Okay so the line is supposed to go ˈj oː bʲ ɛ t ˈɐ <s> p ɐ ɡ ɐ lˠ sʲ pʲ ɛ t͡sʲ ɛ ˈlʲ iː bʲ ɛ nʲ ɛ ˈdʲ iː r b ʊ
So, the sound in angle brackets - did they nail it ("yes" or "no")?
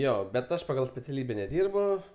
no